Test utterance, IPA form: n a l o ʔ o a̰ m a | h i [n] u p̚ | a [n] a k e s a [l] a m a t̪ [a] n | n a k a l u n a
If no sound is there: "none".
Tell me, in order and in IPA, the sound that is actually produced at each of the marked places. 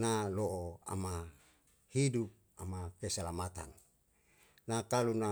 d, m, l, a

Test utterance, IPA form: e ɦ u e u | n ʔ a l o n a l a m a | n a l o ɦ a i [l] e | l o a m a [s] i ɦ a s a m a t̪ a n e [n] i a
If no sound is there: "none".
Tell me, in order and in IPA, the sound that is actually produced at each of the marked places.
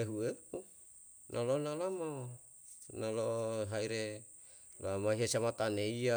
ɾ, none, none

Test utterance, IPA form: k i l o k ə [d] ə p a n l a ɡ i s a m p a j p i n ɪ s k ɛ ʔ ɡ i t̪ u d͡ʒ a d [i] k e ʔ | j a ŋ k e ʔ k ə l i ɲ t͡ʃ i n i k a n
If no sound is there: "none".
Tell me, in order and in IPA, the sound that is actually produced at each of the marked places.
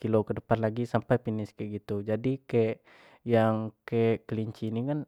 d, i

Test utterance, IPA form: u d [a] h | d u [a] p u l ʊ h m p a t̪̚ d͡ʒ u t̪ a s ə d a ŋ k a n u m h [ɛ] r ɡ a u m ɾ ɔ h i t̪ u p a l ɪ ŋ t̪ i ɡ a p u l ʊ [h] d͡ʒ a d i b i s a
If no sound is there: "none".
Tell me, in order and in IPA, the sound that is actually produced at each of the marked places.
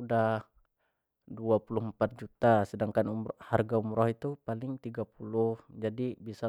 a, a, a, h

